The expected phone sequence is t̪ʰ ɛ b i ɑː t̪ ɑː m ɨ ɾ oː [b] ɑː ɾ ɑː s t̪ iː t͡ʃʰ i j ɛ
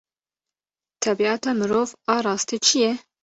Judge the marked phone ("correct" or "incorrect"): incorrect